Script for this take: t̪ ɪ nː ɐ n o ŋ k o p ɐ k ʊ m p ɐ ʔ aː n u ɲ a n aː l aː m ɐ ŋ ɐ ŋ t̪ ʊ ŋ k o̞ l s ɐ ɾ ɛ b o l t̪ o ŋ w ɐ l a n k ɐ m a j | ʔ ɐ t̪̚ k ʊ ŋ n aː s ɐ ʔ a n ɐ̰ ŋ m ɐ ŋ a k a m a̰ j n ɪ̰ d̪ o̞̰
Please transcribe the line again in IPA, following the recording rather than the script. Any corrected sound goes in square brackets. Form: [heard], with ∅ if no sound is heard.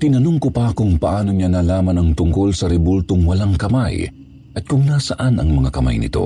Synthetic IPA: t̪ ɪ [n] ɐ n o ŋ k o p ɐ k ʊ [ŋ] p ɐ ʔ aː n [o] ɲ a n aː l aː m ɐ [n] ɐ ŋ t̪ ʊ ŋ k o̞ l s ɐ ɾ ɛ b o l t̪ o ŋ w ɐ l a [ŋ] k ɐ m a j | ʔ ɐ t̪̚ k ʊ ŋ n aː s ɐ ʔ a n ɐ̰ ŋ m ɐ ŋ a k [ɐ] m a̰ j n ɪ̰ [t̪] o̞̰